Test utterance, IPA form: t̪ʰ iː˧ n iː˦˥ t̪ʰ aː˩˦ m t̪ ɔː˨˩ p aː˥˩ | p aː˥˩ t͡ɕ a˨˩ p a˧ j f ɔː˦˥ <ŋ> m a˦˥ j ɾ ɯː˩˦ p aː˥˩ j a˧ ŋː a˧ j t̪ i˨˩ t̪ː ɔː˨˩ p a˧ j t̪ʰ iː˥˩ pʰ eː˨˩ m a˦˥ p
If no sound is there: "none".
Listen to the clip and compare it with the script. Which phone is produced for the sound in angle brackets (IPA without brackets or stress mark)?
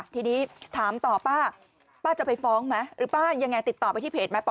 ŋ